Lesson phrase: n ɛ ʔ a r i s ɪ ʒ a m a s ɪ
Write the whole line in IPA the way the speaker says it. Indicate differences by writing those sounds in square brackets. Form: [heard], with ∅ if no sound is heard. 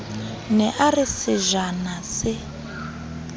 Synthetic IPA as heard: n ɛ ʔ a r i s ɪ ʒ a [n] a s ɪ

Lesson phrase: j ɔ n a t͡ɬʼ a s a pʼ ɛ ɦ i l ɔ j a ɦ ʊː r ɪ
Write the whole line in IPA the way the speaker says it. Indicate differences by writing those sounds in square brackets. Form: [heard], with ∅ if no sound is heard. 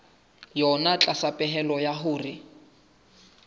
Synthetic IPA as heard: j ɔ n a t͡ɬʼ a s a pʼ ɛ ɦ [ɛ] l ɔ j a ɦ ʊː r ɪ

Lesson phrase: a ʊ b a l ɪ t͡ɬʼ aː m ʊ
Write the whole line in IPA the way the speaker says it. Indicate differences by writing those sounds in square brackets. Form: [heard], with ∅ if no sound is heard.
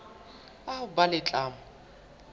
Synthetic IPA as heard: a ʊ b a l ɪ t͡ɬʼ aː m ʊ

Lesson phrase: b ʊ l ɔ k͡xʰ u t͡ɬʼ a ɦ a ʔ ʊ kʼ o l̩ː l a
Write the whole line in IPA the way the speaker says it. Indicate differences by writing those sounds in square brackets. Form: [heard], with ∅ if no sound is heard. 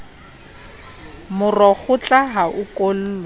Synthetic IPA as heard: [m] ʊ [r] ɔ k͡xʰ [ʊ] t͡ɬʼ a ɦ a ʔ ʊ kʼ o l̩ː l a

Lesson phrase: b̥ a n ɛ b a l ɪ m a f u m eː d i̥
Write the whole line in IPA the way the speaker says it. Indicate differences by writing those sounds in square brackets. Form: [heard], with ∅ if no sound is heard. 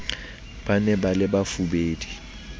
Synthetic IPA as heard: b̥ a n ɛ b a l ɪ [b] a f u [b] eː d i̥

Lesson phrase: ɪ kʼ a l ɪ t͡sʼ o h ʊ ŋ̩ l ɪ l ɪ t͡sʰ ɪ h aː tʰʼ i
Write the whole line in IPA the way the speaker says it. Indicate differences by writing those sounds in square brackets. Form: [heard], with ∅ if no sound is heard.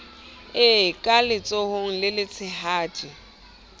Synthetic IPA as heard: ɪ kʼ a l ɪ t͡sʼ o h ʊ ŋ̩ l ɪ l ɪ t͡sʰ ɪ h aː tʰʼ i

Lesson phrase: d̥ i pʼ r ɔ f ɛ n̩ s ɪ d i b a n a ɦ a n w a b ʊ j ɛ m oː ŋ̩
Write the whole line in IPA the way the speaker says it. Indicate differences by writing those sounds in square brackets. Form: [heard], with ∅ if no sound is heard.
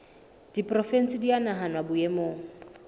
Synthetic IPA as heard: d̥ i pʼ r ɔ f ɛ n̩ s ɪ d i [∅] a n a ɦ a n w a b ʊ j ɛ m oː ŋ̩

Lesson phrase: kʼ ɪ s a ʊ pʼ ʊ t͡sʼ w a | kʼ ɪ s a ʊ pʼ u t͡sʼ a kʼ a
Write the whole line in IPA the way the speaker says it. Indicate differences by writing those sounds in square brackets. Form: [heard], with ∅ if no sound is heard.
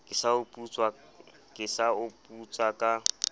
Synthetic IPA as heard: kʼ ɪ s a ʊ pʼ [u] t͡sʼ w a | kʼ ɪ s a ʊ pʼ u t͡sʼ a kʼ a

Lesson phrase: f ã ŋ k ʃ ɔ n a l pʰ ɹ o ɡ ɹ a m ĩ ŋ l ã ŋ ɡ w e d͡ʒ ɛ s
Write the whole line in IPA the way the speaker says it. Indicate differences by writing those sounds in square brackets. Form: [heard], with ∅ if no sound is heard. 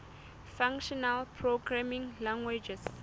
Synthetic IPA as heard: f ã ŋ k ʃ ɔ n a l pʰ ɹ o ɡ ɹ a m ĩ ŋ l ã ŋ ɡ w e d͡ʒ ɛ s

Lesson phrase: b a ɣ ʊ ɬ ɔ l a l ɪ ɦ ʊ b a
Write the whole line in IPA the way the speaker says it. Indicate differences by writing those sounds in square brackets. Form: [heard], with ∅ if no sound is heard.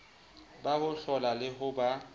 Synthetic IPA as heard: b a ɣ ʊ ɬ ɔ l a l ɪ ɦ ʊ b a

